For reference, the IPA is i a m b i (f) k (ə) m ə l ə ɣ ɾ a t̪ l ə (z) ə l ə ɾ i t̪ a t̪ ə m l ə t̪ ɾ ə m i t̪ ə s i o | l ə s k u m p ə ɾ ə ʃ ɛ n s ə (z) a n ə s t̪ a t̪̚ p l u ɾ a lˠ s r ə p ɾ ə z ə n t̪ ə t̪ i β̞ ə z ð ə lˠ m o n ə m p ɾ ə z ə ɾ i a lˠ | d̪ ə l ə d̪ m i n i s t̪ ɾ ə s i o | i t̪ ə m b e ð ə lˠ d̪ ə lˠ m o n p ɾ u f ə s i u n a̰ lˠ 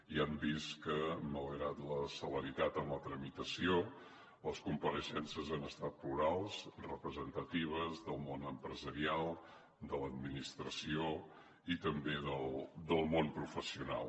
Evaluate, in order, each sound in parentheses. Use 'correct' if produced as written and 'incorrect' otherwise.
incorrect, correct, incorrect, correct

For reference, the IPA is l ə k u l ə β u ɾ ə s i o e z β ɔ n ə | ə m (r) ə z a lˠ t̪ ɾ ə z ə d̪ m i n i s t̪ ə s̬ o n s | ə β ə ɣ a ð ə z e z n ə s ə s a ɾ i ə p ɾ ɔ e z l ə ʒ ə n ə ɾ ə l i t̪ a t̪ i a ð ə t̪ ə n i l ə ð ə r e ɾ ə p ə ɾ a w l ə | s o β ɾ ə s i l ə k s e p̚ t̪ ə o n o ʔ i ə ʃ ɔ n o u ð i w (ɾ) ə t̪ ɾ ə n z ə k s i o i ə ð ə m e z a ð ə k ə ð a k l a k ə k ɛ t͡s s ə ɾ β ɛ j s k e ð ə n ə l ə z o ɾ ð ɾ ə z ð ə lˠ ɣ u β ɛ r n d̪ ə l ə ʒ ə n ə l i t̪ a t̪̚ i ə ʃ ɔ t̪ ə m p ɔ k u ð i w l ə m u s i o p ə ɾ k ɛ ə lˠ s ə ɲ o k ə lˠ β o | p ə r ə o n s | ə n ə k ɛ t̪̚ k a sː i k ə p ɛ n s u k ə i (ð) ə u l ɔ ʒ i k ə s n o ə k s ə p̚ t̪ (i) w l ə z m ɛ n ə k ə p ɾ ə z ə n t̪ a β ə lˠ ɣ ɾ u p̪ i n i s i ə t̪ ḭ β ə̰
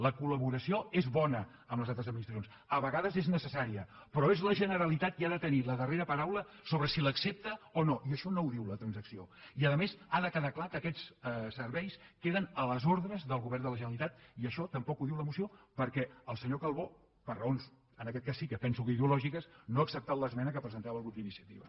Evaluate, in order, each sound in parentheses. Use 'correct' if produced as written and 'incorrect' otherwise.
incorrect, incorrect, correct, incorrect

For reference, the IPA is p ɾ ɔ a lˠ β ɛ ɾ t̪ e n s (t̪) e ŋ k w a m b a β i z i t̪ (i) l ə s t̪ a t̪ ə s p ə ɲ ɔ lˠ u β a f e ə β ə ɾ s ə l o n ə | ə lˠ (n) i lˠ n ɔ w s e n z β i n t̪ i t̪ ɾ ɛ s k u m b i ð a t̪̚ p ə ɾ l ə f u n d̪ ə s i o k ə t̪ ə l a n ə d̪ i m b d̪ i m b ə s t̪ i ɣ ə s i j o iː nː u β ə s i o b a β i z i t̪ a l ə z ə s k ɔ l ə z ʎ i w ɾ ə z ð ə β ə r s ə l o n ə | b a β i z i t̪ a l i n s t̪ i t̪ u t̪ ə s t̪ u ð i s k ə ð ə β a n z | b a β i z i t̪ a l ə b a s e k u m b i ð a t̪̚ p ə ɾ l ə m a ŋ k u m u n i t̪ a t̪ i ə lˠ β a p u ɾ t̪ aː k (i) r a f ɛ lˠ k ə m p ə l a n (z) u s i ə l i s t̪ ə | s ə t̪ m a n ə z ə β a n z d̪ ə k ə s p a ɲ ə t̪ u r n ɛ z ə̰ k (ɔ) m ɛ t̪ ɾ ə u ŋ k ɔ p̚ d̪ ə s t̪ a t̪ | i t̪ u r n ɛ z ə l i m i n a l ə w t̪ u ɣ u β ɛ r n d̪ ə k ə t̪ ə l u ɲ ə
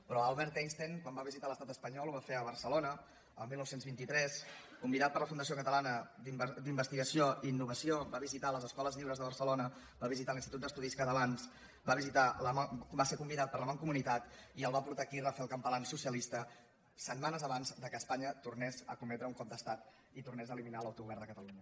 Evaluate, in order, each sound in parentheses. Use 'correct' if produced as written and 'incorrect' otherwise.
correct, incorrect, incorrect, correct, incorrect, incorrect

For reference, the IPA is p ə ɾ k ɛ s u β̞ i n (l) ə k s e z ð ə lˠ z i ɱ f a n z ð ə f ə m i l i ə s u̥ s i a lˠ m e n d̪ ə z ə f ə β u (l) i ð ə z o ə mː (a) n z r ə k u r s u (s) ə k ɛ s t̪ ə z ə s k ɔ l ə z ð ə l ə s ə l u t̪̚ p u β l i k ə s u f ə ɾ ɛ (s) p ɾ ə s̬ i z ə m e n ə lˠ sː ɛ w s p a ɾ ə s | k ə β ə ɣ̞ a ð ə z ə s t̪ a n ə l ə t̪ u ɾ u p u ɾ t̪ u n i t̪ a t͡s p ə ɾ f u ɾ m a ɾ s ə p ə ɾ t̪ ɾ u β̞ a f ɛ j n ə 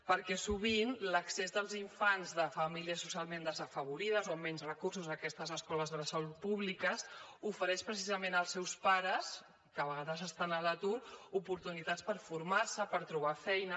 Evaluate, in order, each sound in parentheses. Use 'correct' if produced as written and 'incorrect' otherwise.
correct, incorrect, incorrect, incorrect, incorrect

